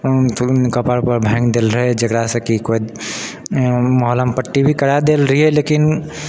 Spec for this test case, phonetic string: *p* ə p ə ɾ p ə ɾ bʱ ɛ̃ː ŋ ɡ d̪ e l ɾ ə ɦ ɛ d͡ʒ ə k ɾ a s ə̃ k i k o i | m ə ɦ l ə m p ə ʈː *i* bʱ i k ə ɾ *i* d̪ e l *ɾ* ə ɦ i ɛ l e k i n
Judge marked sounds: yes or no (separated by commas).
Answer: no, yes, no, yes